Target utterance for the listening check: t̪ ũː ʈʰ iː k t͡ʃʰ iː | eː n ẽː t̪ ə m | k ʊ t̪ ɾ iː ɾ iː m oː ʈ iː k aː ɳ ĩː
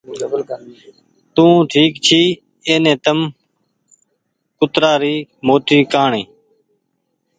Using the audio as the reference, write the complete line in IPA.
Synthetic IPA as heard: t̪ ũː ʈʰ iː k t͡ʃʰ iː | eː n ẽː t̪ ə m | k ʊ t̪ ɾ aː ɾ iː m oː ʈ iː k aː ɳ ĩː